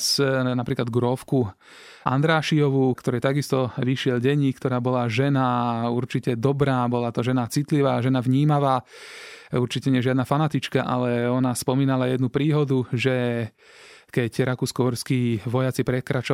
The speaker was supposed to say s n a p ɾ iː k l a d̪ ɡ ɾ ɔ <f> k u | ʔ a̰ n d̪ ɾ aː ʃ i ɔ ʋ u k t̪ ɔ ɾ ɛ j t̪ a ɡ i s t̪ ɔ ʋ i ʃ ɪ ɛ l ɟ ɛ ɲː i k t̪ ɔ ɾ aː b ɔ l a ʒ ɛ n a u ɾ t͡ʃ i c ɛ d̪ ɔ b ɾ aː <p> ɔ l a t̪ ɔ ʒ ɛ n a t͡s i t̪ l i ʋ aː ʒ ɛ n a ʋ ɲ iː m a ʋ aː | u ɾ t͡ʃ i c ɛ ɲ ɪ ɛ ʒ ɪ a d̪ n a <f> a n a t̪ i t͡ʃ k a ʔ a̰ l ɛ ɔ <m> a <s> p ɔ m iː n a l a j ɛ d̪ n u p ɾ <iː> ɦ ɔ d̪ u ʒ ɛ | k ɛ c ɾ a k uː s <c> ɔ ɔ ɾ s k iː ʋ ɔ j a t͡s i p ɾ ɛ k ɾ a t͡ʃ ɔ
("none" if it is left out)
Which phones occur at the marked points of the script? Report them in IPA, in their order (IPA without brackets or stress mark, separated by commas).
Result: f, b, f, n, s, iː, k